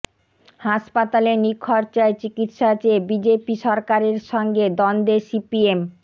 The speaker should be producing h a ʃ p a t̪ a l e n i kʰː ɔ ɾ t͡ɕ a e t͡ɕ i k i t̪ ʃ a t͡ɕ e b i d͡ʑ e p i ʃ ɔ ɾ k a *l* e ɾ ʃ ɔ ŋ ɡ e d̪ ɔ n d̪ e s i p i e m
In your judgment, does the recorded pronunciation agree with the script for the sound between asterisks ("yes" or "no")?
no